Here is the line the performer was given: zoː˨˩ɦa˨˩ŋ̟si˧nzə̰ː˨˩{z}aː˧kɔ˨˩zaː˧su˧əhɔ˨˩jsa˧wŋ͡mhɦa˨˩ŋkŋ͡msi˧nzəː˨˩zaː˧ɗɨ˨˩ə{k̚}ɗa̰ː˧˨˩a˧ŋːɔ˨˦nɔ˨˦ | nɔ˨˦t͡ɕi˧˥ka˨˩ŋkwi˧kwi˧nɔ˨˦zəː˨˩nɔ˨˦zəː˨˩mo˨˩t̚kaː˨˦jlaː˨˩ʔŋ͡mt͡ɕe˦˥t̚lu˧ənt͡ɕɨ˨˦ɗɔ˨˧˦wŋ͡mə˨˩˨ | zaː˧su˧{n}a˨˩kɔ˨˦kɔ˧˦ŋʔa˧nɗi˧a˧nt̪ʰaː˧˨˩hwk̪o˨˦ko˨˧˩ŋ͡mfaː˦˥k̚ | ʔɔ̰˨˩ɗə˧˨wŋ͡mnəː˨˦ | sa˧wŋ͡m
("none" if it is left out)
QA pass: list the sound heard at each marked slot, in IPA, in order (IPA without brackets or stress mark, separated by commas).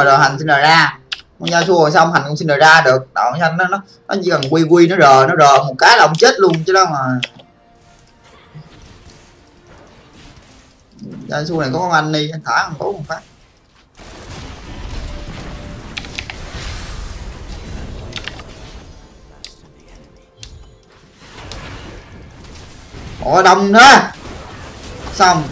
z, k̚, n